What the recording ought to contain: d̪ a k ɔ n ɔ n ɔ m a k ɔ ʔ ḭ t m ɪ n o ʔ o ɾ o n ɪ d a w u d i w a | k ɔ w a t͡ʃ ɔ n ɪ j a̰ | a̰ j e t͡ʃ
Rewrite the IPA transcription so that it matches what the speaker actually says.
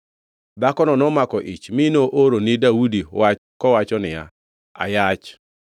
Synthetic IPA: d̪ a k ɔ n ɔ n ɔ m a k ɔ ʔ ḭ t͡ʃ m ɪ n o ʔ o ɾ o n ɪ d a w u d i w a | k ɔ w a t͡ʃ ɔ n ɪ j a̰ | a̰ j a t͡ʃ